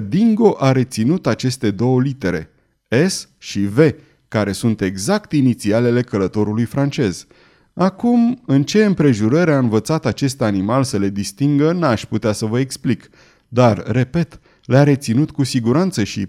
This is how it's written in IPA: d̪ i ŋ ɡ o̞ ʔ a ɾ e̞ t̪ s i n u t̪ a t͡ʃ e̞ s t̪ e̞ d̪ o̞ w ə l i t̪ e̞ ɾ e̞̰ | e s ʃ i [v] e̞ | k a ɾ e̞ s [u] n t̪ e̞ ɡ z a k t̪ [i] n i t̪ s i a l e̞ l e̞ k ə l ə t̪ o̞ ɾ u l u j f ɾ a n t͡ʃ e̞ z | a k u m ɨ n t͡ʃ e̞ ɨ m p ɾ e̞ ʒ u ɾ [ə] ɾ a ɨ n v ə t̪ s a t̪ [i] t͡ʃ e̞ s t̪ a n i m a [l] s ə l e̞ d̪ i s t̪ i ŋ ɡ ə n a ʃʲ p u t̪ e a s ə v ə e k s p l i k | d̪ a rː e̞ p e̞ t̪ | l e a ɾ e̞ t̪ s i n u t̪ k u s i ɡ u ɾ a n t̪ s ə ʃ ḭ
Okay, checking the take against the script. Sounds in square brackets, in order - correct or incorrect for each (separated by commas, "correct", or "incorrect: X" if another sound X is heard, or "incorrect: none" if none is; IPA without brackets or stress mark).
correct, correct, correct, correct, incorrect: a, correct